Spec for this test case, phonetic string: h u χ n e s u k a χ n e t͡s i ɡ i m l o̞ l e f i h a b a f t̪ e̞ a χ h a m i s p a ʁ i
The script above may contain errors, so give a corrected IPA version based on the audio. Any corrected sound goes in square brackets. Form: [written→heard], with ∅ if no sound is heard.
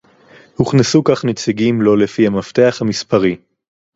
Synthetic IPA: h u χ n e s u k a χ n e t͡s i ɡ i m l o̞ l e f i h a [b→m] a f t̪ e̞ a χ h a m i s p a ʁ i

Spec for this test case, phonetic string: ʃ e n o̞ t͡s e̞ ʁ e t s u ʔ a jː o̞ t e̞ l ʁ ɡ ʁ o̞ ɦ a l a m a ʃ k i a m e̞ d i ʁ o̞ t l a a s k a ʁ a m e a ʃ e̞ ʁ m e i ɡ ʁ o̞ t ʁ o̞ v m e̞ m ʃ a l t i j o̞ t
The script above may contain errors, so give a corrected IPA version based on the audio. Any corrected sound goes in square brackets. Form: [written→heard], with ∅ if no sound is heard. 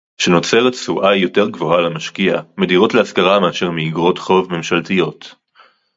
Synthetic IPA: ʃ e n o̞ t͡s e̞ ʁ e t s u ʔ a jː o̞ t e̞ [l→∅] ʁ ɡ [ʁ→v] o̞ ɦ a l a m a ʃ k i a m e̞ d i ʁ o̞ t l [a→e] a s k a ʁ a m e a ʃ e̞ ʁ m e i ɡ ʁ o̞ t [ʁ→χ] o̞ v m e̞ m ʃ a l t i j o̞ t

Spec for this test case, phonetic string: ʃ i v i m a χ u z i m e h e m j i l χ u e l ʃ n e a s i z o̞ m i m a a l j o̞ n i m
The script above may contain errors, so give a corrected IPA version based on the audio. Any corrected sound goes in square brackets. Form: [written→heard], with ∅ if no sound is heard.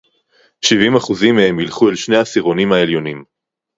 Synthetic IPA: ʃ i v i m a χ u z i m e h e m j i l χ u e l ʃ n e a s i [z→ʁ] o̞ [m→n] i m a [a→e] l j o̞ n i m

